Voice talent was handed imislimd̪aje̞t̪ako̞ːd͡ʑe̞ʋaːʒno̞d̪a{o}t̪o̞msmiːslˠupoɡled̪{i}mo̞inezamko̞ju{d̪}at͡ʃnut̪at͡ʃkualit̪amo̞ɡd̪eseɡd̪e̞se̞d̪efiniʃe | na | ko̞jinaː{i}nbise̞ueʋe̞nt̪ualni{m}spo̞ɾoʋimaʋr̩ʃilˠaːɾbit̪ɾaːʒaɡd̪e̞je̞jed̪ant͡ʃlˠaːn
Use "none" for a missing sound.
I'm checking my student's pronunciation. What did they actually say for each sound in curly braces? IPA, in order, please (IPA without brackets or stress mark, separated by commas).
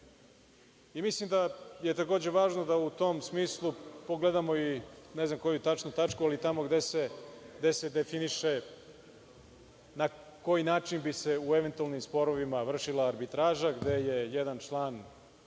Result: u, a, t̪, i, m